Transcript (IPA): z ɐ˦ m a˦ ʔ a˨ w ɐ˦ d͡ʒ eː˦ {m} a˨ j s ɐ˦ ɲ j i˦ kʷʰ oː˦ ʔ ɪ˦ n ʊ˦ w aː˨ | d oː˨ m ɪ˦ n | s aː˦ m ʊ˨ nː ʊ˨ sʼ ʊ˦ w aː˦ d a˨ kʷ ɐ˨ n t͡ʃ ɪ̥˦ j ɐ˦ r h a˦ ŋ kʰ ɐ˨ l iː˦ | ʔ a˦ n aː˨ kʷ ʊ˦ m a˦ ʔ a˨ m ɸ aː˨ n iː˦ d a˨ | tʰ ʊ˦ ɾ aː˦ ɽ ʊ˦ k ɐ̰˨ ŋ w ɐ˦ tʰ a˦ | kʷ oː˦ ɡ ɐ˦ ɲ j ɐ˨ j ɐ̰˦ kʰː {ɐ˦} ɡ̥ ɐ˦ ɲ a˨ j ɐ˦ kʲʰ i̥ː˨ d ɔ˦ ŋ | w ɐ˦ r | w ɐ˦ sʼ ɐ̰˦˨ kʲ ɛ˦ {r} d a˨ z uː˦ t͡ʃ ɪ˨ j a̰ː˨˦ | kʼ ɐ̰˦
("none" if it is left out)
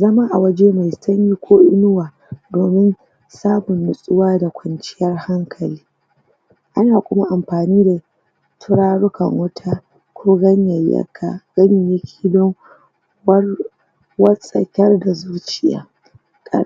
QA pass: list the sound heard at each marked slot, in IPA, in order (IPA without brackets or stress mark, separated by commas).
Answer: m, a˦, r